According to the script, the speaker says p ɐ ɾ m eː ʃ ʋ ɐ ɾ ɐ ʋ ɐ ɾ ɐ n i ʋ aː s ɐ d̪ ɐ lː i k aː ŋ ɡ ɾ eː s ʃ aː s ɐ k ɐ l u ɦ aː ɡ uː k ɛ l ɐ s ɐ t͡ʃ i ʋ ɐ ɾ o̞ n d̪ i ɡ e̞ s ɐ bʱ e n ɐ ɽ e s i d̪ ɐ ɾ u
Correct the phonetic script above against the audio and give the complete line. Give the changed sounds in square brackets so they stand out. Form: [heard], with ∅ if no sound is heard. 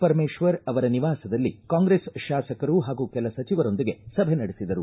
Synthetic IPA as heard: p ɐ ɾ m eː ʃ ʋ ɐ ɾ ɐ ʋ ɐ ɾ ɐ n i ʋ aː s ɐ d̪ ɐ lː i k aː ŋ ɡ ɾ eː s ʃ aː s ɐ k ɐ [ɾ] u ɦ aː ɡ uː k ɛ l ɐ s ɐ t͡ʃ i ʋ ɐ ɾ o̞ n d̪ i ɡ e̞ s ɐ bʱ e n ɐ ɽ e s i d̪ ɐ ɾ u